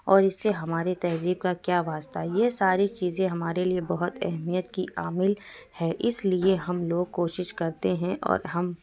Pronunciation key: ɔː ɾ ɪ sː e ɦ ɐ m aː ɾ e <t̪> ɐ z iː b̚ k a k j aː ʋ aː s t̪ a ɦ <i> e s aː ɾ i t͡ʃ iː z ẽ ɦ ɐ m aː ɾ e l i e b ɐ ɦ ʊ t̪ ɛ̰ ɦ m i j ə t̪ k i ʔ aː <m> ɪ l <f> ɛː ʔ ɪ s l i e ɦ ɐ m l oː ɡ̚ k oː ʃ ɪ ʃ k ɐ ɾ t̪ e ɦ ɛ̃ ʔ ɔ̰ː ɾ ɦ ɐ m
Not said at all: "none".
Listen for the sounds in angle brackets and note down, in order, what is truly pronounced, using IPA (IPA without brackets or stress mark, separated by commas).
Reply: t̪, j, m, h